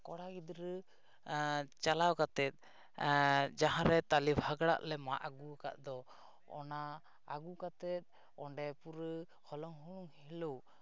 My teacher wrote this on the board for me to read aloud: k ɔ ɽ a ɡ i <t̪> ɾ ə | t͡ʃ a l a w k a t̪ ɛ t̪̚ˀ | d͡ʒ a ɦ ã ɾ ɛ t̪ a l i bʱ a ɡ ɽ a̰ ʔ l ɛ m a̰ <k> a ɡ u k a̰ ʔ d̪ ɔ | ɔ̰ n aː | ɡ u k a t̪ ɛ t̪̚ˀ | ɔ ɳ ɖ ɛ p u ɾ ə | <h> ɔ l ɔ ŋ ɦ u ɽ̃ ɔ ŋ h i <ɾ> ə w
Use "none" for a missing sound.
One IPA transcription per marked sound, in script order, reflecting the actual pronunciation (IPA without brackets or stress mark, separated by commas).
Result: d̪, ʔ, h, l